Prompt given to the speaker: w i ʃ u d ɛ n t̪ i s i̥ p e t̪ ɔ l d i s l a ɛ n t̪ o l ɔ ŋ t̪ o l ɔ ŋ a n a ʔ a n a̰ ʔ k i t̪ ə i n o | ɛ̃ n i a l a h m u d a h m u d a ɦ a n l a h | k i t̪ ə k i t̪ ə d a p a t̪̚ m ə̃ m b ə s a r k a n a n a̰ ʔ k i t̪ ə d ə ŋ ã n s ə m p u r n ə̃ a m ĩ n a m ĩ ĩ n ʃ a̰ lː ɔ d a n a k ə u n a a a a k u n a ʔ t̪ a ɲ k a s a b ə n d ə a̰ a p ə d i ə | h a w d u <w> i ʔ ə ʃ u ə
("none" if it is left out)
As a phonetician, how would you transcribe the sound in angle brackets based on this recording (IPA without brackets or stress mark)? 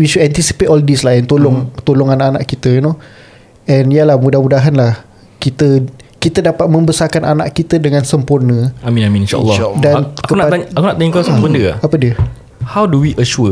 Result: w